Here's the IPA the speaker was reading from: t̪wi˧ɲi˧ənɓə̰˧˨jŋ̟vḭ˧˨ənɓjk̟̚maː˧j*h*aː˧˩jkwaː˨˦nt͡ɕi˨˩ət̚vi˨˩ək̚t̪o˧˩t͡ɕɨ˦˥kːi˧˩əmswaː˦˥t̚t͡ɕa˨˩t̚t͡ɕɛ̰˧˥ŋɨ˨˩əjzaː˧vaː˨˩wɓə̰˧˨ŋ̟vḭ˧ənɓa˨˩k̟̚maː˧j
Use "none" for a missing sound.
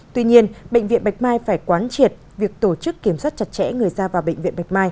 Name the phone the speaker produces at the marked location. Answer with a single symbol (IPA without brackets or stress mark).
f